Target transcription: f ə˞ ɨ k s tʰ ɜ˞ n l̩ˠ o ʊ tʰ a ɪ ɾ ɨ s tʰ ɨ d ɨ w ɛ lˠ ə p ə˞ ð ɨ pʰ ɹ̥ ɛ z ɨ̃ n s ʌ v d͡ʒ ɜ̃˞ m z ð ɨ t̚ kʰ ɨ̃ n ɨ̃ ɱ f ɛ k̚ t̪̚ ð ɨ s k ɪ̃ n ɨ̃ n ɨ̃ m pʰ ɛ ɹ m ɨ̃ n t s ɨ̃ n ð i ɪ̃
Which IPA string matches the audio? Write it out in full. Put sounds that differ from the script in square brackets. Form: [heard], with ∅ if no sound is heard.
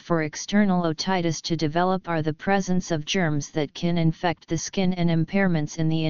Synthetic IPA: f ə˞ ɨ k s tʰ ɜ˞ n l̩ˠ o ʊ tʰ a ɪ ɾ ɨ s tʰ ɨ d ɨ [v] ɛ lˠ ə p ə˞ ð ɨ pʰ ɹ̥ ɛ z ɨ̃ n s ʌ v d͡ʒ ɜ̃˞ m z ð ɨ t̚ kʰ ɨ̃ n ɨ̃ ɱ f ɛ k̚ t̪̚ ð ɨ s k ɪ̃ n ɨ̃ n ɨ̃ m pʰ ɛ ɹ m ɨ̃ n t s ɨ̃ n ð i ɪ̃